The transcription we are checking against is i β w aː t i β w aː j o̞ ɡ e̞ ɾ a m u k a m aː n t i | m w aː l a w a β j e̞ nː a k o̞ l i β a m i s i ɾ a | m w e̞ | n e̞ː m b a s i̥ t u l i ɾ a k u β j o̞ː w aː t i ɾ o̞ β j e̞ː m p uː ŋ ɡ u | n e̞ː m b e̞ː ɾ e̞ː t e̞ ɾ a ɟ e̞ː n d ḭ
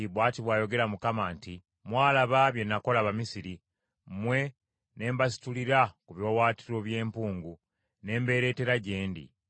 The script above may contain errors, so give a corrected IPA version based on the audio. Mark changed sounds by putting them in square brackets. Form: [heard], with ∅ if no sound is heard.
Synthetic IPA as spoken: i β w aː t i β w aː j o̞ ɡ e̞ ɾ a m u k a m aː n t i | m w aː l a [β] a β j e̞ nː a k o̞ l [a] β a m i s i ɾ [i] | m w e̞ | n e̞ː m b a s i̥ t u l i ɾ a k u β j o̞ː w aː t i ɾ o̞ β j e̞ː m p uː ŋ ɡ u | n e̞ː m b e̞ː ɾ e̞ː t e̞ ɾ a ɟ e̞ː n d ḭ